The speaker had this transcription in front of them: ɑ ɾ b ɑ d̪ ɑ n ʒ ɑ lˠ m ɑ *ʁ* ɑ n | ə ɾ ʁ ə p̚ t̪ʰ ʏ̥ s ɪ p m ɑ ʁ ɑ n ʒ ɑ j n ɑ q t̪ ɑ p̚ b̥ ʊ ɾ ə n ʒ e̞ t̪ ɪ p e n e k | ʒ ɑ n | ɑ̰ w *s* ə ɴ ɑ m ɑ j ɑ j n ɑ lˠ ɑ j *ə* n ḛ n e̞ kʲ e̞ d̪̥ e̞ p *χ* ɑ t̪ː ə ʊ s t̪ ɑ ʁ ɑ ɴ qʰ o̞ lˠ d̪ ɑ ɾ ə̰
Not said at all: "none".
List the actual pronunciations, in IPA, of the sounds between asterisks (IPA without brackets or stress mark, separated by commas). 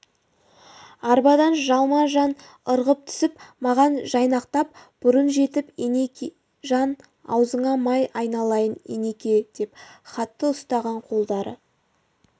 ʒ, z, ə, χ